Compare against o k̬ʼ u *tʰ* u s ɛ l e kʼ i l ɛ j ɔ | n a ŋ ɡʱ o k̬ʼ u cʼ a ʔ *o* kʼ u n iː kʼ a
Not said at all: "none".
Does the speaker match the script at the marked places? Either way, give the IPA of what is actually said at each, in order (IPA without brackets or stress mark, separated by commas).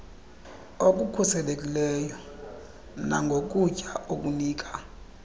kʰ, o